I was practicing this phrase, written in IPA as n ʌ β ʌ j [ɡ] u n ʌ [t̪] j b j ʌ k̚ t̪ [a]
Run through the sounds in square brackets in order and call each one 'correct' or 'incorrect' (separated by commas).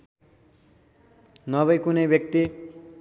incorrect, incorrect, incorrect